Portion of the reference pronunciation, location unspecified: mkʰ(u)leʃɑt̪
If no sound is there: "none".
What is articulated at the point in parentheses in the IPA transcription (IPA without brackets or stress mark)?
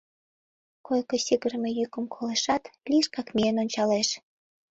o